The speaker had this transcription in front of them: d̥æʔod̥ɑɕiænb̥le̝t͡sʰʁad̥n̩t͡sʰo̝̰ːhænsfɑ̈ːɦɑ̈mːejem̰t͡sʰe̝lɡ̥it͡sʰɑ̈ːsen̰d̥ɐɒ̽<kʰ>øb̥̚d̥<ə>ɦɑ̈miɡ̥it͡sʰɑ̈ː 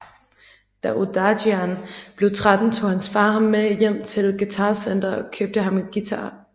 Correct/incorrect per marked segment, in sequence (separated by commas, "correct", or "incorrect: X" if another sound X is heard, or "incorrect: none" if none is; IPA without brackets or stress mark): correct, correct